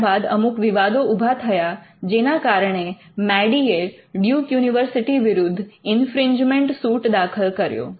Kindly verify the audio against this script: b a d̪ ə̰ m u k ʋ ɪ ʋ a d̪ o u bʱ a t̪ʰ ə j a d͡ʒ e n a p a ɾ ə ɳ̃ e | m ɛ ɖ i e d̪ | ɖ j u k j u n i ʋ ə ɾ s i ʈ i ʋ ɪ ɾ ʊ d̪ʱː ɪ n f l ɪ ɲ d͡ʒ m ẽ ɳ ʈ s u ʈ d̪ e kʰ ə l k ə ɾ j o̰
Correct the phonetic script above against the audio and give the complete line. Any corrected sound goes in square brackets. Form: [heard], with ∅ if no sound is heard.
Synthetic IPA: b a d̪ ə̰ m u k ʋ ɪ ʋ a d̪ o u bʱ a t̪ʰ ə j a d͡ʒ e n a [k] a ɾ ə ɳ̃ e | m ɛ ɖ i e [∅] | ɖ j u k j u n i ʋ ə ɾ s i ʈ i ʋ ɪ ɾ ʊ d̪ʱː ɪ n f [ɾ] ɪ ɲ d͡ʒ m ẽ ɳ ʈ s u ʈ d̪ [a] kʰ ə l k ə ɾ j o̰